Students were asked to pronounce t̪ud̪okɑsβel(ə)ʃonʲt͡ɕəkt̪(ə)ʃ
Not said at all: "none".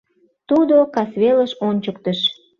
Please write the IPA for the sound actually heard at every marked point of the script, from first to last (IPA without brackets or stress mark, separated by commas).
ə, ə